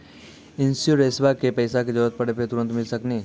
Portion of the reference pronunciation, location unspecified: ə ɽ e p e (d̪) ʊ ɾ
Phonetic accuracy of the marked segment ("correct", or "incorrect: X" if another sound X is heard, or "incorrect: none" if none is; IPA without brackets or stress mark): incorrect: t̪